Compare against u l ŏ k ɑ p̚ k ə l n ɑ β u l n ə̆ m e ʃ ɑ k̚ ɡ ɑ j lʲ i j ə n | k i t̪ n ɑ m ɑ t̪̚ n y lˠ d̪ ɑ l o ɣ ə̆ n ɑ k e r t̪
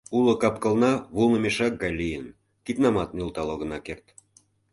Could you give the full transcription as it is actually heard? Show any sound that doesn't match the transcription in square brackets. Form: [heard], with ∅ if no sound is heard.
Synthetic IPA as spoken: u l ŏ k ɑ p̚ k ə l n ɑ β u l n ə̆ m e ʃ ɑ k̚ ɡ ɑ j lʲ i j ə n | k i t̪ n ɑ m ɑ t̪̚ n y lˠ [t̪] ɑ l o ɣ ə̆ n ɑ k e r t̪